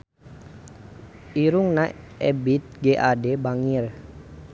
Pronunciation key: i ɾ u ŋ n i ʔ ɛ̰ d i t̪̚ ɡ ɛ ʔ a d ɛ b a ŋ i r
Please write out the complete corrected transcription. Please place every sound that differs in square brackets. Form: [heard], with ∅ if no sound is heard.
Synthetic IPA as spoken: i ɾ u ŋ n [a] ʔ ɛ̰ [b] i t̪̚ ɡ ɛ ʔ a d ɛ b a ŋ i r